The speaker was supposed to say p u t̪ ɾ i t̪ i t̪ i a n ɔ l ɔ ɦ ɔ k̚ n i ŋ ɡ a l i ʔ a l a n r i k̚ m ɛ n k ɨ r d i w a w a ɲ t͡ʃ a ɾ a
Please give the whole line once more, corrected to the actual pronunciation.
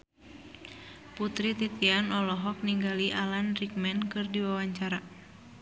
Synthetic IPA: p u t̪ ɾ i t̪ i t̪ i a n ɔ l ɔ ɦ ɔ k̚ n i ŋ ɡ a l i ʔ a l a n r i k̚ m ɛ n k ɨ r d i w a w a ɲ t͡ʃ a ɾ a

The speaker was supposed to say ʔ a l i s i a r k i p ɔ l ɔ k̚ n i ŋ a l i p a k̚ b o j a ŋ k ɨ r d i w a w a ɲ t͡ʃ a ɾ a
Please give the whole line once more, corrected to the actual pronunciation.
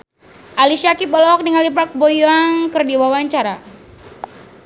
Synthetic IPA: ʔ a l i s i a k i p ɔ l ɔ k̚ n i ŋ a l i p a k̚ b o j a ŋ k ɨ r d i w a w a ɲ t͡ʃ a ɾ a

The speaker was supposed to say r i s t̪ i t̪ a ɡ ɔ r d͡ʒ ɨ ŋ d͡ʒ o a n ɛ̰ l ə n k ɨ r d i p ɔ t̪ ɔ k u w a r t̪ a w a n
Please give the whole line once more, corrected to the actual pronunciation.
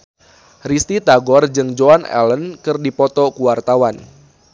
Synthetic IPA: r i s t̪ i t̪ a ɡ ɔ r d͡ʒ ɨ ŋ d͡ʒ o a n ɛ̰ l ə n k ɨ r d i p ɔ t̪ ɔ k u w a r t̪ a w a n

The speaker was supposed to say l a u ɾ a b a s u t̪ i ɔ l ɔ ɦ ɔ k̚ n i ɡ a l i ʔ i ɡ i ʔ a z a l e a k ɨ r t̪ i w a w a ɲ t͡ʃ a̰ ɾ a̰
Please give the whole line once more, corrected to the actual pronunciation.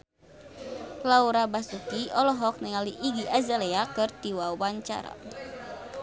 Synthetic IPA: l a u ɾ a b a s u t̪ i ɔ l ɔ ɦ ɔ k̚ n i ŋ a l i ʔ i ɡ i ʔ a z a l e a k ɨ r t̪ i w a w a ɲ t͡ʃ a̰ ɾ a̰

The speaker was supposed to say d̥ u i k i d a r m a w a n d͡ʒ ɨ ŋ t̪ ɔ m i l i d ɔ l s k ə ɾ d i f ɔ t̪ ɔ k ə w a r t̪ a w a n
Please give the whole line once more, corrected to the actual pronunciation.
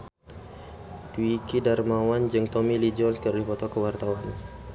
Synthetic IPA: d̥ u i k i d a r m a w a n d͡ʒ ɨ ŋ t̪ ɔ m i l i d͡ʒ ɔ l s k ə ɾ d i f ɔ t̪ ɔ k ə w a r t̪ a w a n

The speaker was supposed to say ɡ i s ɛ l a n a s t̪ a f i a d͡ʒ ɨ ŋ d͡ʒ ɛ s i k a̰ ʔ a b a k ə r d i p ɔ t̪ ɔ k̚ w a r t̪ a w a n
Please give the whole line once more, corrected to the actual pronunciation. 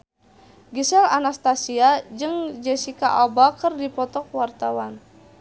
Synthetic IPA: ɡ i s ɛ l a n a s t̪ a s i a d͡ʒ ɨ ŋ d͡ʒ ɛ s i k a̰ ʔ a b a k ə r d i p ɔ t̪ ɔ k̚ w a r t̪ a w a n

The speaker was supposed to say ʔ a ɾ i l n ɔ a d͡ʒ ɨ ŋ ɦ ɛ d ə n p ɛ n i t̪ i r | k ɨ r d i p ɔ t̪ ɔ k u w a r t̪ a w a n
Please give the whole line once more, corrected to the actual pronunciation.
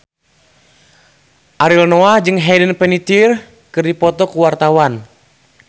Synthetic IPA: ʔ a ɾ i l n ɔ a d͡ʒ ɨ ŋ ɦ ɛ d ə n p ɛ n i t̪ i r | k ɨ r d i p ɔ t̪ ɔ k u w a r t̪ a w a n

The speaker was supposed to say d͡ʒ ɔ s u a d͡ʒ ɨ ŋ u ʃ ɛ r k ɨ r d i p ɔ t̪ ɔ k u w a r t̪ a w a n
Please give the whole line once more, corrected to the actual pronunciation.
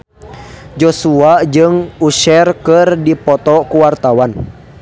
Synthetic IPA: d͡ʒ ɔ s u a d͡ʒ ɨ ŋ u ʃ ɛ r k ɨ r d i p ɔ t̪ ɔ k u w a r t̪ a w a n

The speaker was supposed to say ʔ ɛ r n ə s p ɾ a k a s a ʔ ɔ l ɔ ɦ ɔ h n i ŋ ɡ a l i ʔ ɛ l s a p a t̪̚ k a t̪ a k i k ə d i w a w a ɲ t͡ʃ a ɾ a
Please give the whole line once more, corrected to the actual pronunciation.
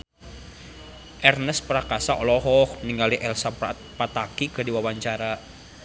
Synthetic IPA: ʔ ɛ r n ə s p ɾ a k a s a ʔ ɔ l ɔ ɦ ɔ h n i ŋ ɡ a l i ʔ ɛ l s a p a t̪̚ p a t̪ a k i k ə d i w a w a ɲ t͡ʃ a ɾ a

